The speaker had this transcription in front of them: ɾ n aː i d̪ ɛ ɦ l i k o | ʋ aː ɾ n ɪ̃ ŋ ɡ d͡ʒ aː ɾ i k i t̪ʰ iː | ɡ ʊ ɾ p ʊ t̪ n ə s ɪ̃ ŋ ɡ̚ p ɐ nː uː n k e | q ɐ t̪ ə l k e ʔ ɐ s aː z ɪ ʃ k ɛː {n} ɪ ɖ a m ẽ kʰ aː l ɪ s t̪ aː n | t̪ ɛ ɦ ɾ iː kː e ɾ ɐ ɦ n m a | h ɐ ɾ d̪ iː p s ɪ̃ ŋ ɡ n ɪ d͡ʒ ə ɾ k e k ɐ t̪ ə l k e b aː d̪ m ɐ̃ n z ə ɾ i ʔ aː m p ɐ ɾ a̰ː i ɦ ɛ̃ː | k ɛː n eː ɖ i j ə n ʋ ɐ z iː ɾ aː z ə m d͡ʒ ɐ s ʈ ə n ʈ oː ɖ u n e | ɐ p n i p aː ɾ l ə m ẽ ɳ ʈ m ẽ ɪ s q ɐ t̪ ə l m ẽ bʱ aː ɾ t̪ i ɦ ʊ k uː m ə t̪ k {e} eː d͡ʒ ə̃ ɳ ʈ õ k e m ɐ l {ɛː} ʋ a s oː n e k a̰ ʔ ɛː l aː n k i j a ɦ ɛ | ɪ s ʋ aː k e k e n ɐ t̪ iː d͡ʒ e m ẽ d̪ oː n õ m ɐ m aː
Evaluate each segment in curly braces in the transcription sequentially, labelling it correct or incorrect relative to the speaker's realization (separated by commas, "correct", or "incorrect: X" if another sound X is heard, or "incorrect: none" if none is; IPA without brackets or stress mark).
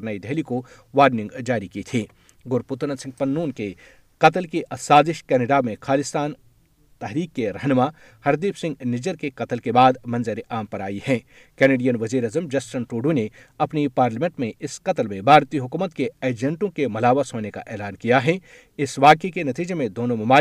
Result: correct, correct, incorrect: aː